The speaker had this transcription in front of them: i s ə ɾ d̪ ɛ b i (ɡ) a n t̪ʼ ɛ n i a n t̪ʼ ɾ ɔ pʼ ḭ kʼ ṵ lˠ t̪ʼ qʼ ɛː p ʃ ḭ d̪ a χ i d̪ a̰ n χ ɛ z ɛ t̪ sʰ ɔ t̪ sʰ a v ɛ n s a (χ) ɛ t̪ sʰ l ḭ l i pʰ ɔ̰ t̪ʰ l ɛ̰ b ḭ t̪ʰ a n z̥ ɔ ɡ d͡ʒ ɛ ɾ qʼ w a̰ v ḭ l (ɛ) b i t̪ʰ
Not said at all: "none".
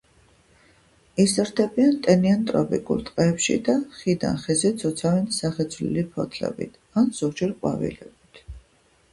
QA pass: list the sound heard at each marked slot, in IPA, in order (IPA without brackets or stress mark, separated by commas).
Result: none, χ, ɛ